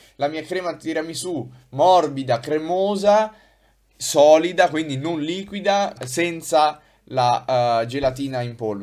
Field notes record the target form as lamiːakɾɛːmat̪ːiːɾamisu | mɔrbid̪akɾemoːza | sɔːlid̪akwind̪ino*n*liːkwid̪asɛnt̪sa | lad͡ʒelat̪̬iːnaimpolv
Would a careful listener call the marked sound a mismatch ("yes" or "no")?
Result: no